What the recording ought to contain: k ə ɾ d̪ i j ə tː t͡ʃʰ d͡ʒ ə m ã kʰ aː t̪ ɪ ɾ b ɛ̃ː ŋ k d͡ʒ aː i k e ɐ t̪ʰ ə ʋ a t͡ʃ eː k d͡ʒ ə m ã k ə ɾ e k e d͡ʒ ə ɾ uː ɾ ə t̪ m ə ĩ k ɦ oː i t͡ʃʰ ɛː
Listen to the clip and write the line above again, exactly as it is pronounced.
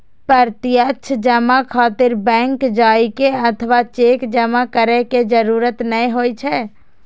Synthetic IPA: p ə ɾ t̪ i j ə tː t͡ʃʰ d͡ʒ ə m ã kʰ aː t̪ ɪ ɾ b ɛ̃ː ŋ k d͡ʒ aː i k e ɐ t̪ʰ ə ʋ a t͡ʃ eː k d͡ʒ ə m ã k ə ɾ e k e d͡ʒ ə ɾ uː ɾ ə t̪ n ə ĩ ɦ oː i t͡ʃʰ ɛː